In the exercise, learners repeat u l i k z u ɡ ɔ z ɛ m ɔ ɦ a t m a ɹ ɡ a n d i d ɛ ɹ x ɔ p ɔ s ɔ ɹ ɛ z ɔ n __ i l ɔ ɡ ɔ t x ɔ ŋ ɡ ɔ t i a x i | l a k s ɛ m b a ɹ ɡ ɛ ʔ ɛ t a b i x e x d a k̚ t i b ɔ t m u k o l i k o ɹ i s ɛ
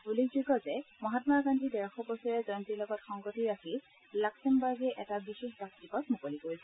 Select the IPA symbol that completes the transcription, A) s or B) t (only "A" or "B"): B